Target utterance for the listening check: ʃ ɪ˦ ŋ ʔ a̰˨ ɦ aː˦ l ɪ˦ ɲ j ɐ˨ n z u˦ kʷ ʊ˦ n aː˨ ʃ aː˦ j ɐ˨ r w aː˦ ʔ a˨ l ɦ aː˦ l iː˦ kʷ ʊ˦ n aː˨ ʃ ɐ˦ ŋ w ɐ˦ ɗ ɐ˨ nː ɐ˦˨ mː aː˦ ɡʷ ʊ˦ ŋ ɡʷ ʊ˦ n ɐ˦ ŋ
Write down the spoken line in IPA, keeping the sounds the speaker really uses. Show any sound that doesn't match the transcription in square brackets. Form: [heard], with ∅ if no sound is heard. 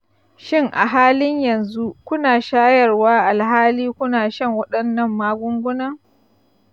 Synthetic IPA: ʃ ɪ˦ ŋ ʔ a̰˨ ɦ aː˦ l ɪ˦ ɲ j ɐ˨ n z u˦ kʷ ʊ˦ n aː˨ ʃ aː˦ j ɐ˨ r w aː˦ ʔ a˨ l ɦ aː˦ l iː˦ kʷ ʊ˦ n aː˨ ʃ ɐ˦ ŋ w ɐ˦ ɗ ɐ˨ nː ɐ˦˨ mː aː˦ ɡʷ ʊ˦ ŋ ɡʷ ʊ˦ n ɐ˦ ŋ